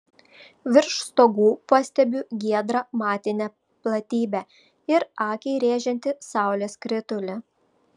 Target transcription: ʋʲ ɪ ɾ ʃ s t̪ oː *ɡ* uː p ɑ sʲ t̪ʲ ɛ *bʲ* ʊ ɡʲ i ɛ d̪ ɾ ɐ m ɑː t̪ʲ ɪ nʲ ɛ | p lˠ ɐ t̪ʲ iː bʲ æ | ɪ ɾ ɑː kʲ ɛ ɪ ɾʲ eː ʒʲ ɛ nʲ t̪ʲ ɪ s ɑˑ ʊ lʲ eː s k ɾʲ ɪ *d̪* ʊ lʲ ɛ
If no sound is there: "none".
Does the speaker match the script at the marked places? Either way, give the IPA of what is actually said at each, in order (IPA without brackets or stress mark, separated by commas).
ɡ, bʲ, t̪